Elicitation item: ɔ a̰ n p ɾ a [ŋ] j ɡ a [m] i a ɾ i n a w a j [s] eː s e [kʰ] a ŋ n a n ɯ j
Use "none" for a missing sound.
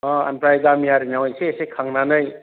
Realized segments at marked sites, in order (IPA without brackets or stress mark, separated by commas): none, m, s, kʰ